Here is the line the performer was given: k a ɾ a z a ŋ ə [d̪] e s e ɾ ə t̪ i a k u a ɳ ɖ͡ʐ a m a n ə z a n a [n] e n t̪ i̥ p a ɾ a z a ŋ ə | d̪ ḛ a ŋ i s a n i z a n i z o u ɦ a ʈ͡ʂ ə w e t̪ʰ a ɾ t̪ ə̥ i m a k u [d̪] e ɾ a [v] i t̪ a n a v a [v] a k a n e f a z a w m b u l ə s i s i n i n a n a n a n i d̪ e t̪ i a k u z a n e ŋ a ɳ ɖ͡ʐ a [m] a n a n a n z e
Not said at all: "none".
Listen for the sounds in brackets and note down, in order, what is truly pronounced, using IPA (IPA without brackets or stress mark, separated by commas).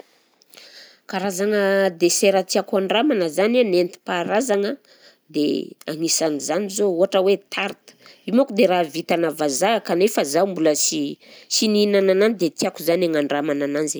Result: d̪, n, d̪, v, z, m